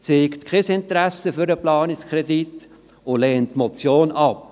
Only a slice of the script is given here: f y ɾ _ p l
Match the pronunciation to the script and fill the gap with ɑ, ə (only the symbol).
ə